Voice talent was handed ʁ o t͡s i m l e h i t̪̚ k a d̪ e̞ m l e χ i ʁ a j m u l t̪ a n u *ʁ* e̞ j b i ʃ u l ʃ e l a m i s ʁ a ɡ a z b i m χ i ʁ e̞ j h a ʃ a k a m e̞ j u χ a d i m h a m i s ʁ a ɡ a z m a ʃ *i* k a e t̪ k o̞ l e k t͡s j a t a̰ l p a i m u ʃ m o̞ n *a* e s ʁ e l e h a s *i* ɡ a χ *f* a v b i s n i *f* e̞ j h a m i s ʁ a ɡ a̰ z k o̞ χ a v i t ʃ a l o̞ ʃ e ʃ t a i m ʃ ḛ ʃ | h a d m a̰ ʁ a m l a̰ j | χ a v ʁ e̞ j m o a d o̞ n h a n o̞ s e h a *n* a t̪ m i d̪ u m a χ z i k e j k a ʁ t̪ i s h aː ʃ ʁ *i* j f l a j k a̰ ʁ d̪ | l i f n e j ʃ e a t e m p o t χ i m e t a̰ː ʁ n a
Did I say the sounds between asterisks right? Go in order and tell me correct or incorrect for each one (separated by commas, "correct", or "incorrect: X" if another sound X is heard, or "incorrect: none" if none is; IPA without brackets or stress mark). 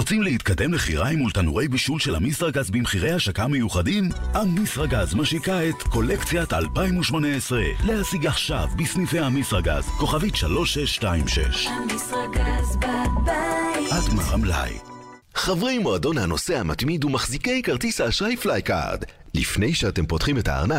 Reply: correct, correct, incorrect: e, correct, incorrect: ʃ, correct, incorrect: m, incorrect: a